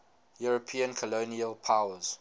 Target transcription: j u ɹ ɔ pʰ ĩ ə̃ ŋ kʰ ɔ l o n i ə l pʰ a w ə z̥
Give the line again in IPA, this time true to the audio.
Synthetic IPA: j u ɹ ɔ pʰ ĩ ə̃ n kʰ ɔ l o n i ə l pʰ a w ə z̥